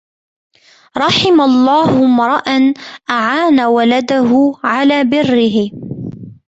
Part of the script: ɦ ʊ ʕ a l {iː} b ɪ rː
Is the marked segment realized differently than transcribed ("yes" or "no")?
yes